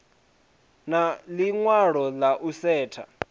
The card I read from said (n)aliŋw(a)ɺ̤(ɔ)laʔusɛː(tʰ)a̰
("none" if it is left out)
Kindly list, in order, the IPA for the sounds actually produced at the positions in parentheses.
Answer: n, a, ɔ, tʰ

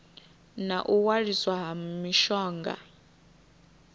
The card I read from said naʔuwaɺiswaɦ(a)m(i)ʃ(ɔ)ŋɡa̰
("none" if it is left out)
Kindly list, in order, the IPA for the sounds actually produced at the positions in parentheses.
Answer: a, i, ɔː

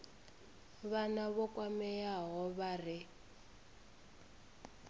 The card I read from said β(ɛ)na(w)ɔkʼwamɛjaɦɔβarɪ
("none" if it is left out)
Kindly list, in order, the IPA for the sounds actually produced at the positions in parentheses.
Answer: a, β

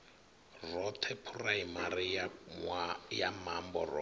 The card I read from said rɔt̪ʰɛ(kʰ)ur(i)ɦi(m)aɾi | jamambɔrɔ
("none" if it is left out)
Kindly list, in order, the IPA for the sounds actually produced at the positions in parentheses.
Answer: pʰ, a, m

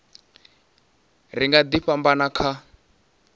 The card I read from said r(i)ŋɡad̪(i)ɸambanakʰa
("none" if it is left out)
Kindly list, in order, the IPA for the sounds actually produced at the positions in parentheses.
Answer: i, i

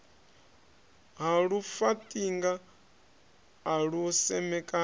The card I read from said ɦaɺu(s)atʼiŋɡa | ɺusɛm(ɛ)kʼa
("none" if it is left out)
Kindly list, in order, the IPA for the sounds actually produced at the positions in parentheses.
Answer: f, ɛ

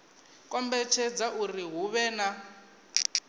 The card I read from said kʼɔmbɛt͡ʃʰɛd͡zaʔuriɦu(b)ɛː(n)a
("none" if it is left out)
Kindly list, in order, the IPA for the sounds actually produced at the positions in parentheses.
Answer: β, n

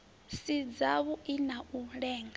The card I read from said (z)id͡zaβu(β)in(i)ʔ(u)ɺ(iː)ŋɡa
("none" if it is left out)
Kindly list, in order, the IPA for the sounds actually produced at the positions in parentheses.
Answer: s, none, a, u, ɛː

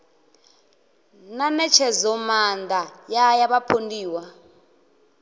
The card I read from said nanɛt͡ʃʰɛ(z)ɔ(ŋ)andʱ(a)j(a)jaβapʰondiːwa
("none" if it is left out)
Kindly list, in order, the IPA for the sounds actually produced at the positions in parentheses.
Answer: z, m, a, a

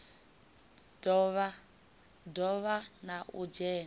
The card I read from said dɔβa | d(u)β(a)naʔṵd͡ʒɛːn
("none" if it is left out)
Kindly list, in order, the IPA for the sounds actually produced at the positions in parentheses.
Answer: ɔ, a

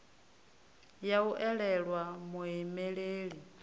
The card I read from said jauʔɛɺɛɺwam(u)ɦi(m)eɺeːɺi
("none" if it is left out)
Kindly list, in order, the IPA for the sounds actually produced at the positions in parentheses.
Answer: u, m

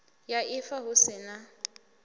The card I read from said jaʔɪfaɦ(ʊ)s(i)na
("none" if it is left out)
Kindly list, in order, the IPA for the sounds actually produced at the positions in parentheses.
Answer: ʊ, ɪ

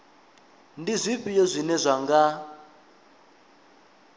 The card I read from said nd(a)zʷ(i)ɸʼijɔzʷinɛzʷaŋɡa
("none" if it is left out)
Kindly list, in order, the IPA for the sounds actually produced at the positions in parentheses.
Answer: i, i

